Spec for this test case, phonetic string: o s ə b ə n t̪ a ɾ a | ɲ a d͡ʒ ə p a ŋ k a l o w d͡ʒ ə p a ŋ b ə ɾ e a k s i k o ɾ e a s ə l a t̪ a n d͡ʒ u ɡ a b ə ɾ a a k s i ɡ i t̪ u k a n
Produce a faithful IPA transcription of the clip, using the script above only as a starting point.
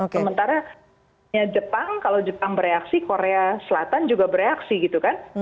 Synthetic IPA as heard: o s ə m ə n t̪ a ɾ a | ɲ a d͡ʒ ə p a ŋ k a l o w d͡ʒ ə p a ŋ b ə ɾ e a k s i k o ɾ e a s ə l a t̪ a n d͡ʒ u ɡ a b ə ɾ e a k s i ɡ i t̪ u k a n